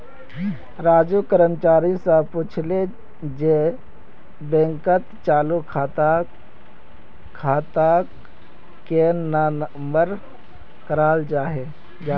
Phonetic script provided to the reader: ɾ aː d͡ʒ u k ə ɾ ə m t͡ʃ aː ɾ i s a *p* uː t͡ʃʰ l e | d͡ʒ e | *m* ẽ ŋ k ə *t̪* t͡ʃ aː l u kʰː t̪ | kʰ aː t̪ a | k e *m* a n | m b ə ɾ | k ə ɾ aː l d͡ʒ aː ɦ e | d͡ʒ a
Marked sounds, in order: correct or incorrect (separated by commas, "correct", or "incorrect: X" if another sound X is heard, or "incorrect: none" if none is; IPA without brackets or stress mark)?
correct, incorrect: b, correct, incorrect: n